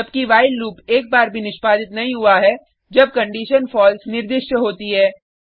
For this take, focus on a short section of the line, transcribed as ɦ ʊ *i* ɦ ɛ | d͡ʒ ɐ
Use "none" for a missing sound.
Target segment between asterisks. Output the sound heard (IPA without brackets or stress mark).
a